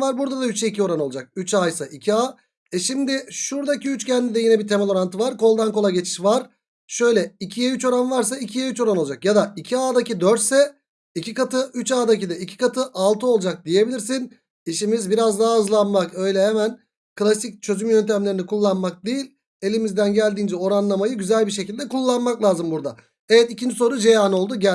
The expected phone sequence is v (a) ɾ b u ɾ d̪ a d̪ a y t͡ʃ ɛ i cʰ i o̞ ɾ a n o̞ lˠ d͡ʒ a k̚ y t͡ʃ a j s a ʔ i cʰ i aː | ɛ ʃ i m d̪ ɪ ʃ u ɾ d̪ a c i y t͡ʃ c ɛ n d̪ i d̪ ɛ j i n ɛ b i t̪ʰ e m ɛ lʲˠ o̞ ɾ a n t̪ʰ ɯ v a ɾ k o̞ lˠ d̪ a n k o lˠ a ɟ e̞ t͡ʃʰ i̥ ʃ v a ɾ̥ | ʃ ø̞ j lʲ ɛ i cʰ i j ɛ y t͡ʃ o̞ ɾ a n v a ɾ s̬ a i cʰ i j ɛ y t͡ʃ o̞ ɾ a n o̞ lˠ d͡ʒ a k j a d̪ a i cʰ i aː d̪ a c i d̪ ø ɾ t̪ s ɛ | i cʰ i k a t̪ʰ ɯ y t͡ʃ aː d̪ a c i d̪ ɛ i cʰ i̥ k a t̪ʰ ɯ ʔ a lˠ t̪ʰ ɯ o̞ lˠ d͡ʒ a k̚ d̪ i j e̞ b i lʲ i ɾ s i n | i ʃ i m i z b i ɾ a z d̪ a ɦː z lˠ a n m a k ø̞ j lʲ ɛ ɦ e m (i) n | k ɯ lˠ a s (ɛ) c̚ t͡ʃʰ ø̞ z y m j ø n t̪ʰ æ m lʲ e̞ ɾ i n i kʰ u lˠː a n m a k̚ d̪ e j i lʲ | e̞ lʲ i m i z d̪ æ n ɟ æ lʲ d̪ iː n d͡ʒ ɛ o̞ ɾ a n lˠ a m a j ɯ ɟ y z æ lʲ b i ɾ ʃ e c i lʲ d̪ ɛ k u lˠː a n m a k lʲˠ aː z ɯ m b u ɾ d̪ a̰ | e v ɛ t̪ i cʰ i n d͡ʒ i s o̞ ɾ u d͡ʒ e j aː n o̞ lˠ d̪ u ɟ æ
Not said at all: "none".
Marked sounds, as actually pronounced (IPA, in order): a, æ, i

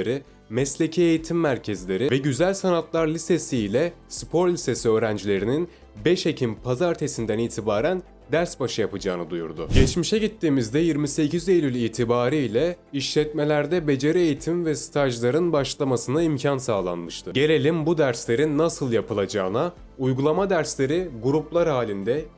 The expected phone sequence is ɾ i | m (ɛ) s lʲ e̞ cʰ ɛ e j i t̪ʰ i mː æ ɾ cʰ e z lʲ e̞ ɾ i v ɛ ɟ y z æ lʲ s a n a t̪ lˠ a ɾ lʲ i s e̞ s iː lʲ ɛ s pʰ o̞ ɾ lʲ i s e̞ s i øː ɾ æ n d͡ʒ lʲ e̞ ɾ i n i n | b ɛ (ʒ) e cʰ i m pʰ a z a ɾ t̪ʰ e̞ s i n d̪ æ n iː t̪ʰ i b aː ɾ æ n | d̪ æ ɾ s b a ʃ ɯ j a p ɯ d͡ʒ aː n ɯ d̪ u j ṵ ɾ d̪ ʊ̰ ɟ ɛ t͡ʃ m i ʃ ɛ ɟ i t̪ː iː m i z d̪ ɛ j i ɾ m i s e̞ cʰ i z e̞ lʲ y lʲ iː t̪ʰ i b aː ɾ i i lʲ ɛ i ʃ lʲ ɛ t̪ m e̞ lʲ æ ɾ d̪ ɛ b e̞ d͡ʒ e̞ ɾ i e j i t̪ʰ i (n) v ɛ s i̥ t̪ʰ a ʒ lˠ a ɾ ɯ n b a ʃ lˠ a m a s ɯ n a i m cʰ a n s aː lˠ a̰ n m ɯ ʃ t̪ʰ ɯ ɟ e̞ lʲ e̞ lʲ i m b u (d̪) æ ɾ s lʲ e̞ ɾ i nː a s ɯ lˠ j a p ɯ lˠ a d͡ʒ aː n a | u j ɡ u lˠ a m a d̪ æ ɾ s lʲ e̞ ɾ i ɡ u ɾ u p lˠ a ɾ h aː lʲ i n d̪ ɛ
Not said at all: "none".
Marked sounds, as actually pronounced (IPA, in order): ɛ, ʃ, m, d̪

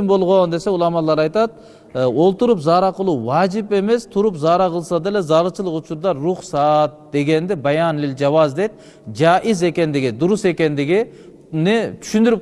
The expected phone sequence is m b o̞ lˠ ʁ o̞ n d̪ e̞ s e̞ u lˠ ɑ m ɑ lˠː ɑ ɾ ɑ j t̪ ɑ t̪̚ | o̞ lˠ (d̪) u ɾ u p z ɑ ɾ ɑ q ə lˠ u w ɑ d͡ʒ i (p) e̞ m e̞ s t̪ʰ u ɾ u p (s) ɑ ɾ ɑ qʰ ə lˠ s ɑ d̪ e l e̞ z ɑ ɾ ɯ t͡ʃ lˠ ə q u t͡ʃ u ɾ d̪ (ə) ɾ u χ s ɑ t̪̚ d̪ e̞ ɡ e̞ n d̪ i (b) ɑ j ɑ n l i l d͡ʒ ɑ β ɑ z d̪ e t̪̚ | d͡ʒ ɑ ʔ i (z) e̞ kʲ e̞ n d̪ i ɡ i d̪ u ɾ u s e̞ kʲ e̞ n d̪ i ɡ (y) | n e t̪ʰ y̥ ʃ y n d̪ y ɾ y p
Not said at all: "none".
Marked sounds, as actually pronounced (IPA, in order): t̪, p, z, ɑ, b, z, i

